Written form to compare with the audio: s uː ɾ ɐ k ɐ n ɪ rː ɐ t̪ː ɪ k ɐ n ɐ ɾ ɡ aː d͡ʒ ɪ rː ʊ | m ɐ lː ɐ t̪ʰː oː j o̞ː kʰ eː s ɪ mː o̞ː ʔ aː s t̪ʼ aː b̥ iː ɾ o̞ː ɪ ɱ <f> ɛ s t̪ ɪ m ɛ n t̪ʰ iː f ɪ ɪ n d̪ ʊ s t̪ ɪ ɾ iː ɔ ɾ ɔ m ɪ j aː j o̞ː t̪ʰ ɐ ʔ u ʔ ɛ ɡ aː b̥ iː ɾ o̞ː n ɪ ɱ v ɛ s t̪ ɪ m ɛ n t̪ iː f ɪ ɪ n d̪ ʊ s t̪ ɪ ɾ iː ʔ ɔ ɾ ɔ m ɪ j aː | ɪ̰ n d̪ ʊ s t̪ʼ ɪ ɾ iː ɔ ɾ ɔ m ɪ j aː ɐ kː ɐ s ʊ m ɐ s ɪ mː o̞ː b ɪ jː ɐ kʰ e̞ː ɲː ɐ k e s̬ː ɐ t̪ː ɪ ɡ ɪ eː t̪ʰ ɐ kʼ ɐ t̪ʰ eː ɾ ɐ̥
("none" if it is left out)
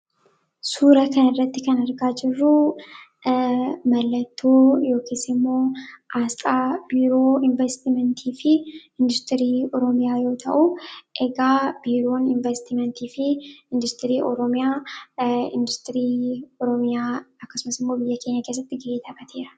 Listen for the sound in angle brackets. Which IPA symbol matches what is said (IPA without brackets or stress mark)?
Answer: v